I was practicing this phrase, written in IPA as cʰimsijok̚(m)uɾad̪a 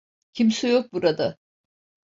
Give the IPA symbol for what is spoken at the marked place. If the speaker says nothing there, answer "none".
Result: b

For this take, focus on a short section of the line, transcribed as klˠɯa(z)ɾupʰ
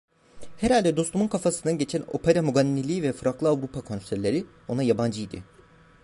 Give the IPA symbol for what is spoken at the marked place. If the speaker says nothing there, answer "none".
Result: v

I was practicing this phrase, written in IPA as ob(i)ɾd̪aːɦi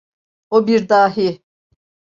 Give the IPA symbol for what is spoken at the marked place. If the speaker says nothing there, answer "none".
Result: i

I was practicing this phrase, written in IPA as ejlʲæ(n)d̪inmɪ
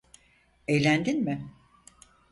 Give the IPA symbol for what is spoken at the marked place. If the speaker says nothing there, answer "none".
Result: n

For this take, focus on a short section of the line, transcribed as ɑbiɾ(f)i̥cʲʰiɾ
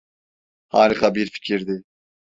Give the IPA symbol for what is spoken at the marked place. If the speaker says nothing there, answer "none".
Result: f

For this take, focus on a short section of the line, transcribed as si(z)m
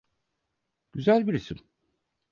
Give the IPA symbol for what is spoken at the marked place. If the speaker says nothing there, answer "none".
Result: none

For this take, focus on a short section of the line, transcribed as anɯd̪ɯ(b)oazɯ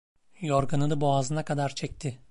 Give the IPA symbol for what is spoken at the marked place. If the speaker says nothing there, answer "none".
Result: b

